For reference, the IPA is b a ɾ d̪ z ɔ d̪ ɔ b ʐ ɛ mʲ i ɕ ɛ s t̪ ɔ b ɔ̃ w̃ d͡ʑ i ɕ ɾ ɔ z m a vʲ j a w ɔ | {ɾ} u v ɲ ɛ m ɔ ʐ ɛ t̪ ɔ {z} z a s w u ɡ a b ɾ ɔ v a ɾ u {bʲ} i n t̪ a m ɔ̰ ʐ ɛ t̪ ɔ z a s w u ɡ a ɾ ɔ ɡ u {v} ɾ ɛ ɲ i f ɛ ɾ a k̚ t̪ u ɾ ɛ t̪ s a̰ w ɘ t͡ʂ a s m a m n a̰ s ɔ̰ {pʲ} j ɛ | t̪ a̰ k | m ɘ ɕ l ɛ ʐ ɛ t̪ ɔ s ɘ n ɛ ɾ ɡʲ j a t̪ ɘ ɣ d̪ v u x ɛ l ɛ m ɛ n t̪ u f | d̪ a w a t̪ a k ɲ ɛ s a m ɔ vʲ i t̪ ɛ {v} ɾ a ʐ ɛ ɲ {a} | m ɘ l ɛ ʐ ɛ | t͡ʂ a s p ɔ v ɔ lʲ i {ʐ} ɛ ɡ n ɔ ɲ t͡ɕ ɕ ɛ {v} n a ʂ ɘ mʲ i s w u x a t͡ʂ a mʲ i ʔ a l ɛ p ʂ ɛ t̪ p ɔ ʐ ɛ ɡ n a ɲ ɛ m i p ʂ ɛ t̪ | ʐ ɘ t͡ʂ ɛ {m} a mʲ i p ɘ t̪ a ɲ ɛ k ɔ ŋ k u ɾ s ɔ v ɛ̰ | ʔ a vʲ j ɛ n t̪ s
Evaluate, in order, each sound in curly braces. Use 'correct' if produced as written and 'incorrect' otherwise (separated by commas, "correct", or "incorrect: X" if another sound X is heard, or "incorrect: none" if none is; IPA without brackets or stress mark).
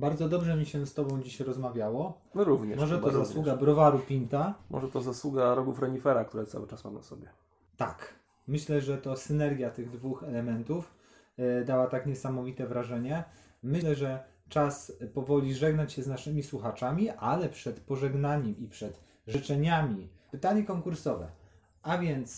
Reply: correct, correct, incorrect: pʲ, incorrect: f, incorrect: bʲ, correct, incorrect: ɛ, correct, incorrect: z, incorrect: ɲ